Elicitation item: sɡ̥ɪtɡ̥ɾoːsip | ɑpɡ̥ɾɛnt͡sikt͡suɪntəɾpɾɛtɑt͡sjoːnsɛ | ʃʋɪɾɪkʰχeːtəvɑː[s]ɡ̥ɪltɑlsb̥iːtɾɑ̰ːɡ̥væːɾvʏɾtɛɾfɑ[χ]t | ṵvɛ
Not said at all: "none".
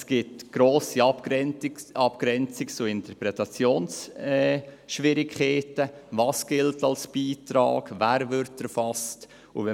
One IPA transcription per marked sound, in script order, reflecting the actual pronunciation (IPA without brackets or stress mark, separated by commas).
s, s